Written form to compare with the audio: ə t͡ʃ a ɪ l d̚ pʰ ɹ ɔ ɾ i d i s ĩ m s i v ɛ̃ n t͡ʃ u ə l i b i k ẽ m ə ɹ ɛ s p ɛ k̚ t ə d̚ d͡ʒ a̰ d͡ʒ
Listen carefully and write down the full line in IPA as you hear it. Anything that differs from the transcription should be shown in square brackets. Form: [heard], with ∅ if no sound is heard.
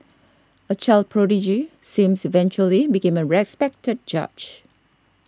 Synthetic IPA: ə t͡ʃ a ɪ l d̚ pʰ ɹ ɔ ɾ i [d͡ʒ] i s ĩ m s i v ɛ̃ n t͡ʃ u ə l i b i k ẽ m ə ɹ ɛ s p ɛ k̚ t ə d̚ d͡ʒ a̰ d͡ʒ